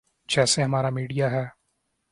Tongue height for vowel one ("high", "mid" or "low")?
mid